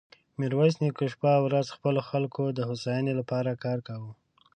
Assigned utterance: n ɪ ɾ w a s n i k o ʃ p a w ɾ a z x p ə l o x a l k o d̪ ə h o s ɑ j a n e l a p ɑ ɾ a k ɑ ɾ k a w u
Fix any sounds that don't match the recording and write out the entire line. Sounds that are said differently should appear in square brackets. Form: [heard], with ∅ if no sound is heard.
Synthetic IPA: [m] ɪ ɾ w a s n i k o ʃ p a w ɾ a z x p ə l o x a l k o d̪ ə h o s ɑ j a n e l a p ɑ ɾ a k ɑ ɾ k a w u